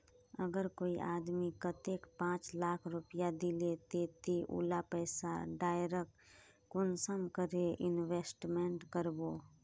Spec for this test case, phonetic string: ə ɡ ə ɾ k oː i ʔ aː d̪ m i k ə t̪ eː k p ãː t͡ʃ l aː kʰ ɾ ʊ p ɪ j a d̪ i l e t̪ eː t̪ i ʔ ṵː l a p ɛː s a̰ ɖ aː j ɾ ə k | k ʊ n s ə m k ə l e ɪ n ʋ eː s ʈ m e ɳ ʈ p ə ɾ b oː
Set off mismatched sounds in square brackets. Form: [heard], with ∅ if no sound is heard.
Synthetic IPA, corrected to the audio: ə ɡ ə ɾ k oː i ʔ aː d̪ m i k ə t̪ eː k p ãː t͡ʃ l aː kʰ ɾ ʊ p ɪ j a d̪ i l e t̪ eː t̪ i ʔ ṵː l a p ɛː s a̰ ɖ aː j ɾ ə k | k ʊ n s ə m k ə [ɾ] e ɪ n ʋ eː s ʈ m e ɳ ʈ [k] ə ɾ b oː